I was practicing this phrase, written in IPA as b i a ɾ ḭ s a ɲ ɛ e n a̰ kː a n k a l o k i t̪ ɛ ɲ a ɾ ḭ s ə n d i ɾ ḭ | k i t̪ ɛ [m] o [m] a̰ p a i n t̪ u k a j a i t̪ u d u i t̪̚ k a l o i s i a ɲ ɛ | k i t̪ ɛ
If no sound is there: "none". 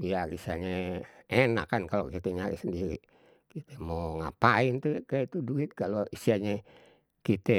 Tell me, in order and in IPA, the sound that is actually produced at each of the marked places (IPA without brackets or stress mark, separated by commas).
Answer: m, ŋ